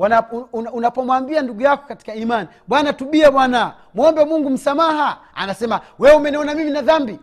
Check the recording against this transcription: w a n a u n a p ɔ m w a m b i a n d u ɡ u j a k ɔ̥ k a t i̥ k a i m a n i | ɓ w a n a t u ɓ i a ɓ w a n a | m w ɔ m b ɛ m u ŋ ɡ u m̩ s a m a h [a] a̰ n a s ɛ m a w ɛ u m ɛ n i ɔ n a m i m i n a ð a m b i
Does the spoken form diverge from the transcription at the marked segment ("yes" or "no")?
no